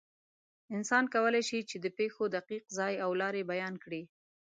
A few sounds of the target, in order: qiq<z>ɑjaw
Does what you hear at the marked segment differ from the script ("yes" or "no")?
no